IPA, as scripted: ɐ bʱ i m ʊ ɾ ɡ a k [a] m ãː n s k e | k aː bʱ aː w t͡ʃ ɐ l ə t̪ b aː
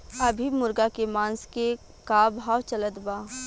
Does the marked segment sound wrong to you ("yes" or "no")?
yes